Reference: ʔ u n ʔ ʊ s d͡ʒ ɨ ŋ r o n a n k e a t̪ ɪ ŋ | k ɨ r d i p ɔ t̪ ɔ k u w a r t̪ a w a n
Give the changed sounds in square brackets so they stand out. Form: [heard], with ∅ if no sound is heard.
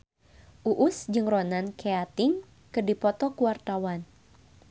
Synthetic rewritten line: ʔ u [∅] ʔ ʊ s d͡ʒ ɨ ŋ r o n a n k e a t̪ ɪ ŋ | k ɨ r d i p ɔ t̪ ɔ k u w a r t̪ a w a n